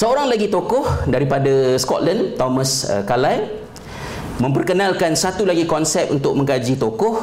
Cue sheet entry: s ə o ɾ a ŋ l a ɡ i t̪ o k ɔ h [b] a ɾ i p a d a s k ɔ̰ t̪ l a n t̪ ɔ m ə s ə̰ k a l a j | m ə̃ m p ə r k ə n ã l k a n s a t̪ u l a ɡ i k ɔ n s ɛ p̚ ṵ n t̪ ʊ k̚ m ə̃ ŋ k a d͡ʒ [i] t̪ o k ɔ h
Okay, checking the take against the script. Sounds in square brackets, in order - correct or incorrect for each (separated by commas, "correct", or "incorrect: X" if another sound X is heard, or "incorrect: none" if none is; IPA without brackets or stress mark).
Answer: incorrect: d, correct